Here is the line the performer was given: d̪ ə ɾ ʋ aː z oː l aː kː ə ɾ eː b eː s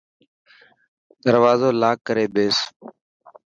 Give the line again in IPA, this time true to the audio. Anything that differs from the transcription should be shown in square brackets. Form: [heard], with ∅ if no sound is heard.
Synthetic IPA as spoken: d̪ ə ɾ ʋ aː z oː l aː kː ə ɾ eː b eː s